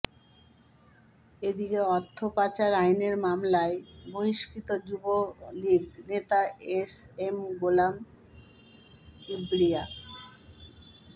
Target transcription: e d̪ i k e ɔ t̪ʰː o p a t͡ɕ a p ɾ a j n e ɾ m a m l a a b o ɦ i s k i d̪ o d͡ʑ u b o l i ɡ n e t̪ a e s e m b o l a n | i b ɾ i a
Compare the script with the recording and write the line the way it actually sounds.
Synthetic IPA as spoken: e d̪ i k e ɔ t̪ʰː o p a t͡ɕ a ɾ a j n e ɾ m a m l a e b o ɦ i ʃ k i t̪ o d͡ʑ u b o l i ɡ n e t̪ a e s e m ɡ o l a m | i b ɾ i a